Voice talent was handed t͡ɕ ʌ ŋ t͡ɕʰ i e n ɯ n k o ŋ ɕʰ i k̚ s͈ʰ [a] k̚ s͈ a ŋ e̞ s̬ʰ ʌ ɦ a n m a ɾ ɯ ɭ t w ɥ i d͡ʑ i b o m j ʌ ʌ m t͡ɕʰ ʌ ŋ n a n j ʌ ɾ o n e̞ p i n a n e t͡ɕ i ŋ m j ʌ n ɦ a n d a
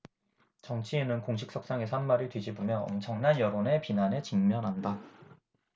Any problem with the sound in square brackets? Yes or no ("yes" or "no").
yes